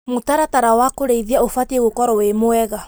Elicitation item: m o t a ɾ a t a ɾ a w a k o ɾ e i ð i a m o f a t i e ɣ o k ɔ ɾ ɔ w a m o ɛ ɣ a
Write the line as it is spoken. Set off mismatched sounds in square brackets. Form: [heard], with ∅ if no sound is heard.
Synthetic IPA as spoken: m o t a ɾ a t a ɾ a w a k o ɾ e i ð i a [∅] o f a t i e ɣ o k ɔ ɾ ɔ w [e] m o ɛ ɣ a

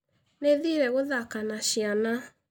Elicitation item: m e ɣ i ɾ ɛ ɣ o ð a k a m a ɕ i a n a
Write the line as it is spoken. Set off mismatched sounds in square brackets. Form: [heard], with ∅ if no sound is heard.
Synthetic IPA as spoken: [n] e [ð] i ɾ ɛ ɣ o ð a k a [n] a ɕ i a n a

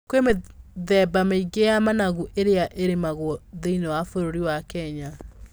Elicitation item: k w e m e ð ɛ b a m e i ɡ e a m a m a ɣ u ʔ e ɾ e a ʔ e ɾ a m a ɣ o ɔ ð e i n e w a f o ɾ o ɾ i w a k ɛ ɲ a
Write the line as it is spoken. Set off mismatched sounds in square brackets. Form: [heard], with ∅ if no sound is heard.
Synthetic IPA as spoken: k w e m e ð ɛ b a m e i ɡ e a m a [n] a ɣ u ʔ e ɾ e a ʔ e ɾ [e] m a ɣ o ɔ ð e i n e w a f o ɾ o ɾ i w a k ɛ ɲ a

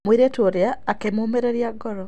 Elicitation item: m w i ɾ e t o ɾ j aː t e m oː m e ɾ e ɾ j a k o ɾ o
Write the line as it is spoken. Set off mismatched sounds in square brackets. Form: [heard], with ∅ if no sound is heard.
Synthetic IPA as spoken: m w i ɾ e t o ɾ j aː [k] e m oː m e ɾ e ɾ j a [ɡ] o ɾ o

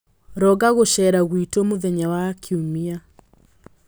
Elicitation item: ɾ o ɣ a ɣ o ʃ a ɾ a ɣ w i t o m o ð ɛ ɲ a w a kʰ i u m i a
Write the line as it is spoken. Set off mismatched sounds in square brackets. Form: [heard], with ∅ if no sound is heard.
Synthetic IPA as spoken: ɾ [ɔ] ɣ a ɣ o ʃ [ɛ] ɾ a ɣ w i t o m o ð ɛ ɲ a w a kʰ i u m i a

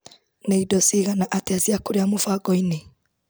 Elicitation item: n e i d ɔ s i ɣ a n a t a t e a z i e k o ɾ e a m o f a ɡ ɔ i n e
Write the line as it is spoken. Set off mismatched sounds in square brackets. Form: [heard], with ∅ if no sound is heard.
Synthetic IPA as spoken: n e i d ɔ s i ɣ a n a [ʔ] a t e a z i [a] k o ɾ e a m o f a ɡ ɔ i n e

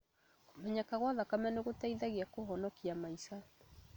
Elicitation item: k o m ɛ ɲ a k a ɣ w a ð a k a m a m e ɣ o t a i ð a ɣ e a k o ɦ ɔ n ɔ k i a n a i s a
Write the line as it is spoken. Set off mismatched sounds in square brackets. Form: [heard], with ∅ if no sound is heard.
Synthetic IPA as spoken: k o m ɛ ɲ a k a ɣ w a ð a k a m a [n] e ɣ o t a i ð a ɣ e a k o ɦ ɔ n ɔ k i a [m] a i s a

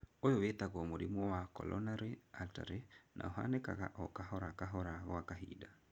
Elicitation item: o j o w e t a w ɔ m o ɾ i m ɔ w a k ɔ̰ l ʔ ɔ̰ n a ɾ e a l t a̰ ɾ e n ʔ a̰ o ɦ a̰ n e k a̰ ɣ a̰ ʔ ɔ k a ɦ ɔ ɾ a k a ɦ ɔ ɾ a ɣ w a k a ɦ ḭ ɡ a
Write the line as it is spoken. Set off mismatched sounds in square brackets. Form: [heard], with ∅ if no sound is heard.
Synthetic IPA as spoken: o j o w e t a [ɣ] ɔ m o ɾ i m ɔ w a k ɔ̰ l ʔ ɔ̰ n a ɾ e a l t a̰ ɾ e n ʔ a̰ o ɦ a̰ n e k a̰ ɣ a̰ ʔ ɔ k a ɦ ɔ ɾ a k a ɦ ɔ ɾ a ɣ w a k a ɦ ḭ [d] a

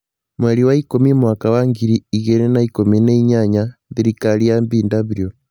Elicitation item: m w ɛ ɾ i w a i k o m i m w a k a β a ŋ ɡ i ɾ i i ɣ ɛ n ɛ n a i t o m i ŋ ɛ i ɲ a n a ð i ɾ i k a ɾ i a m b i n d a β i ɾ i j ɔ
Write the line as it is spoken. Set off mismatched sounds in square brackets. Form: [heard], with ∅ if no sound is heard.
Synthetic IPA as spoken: m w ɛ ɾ i w a i k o m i m w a k a [w] a ŋ ɡ i ɾ i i ɣ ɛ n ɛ n a i [k] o m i [n] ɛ i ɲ a [ɲ] a ð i ɾ i k a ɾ i a m b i n d a β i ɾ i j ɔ

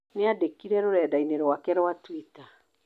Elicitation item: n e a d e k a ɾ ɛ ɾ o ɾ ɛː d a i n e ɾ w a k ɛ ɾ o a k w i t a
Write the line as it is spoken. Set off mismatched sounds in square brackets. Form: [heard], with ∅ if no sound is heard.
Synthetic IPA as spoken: n e a d e k [i] ɾ ɛ ɾ o ɾ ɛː d a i n e ɾ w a k ɛ ɾ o a [t] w i t a

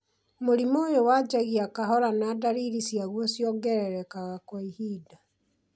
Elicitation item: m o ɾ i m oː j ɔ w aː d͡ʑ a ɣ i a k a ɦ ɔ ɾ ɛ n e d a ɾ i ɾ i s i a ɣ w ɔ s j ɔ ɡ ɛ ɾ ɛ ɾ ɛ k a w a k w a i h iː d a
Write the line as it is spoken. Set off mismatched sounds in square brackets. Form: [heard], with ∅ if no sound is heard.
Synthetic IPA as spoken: m o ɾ i m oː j [o] w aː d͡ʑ a ɣ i a k a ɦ ɔ ɾ [a] n [a] d a ɾ i ɾ i s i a ɣ w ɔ s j ɔ ɡ ɛ ɾ ɛ ɾ ɛ k a [ɣ] a k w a i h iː d a

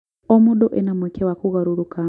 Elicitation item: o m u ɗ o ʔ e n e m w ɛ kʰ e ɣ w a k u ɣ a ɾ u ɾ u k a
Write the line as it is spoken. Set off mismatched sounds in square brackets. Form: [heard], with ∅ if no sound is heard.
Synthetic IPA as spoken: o m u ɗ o ʔ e n [a] m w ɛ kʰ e [∅] w a k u ɣ a ɾ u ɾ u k a

